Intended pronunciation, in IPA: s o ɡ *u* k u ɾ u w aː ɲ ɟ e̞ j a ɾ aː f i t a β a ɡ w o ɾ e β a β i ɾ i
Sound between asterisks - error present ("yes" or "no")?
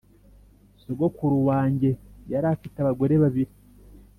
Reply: yes